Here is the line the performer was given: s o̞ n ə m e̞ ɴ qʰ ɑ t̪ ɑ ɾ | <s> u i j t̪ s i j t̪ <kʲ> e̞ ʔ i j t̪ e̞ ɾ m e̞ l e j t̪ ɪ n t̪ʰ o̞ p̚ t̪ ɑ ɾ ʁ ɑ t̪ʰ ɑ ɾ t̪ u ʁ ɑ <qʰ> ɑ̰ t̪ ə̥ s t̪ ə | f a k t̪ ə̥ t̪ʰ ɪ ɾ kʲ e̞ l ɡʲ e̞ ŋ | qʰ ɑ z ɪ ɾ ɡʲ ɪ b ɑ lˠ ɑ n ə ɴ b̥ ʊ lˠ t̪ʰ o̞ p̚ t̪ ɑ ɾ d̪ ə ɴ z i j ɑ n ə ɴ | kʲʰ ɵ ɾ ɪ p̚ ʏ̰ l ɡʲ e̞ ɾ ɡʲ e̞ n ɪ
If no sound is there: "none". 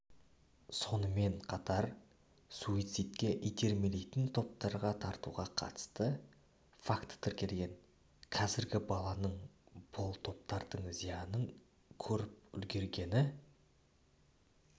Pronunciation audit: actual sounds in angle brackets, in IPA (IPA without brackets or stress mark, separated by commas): s, kʲ, qʰ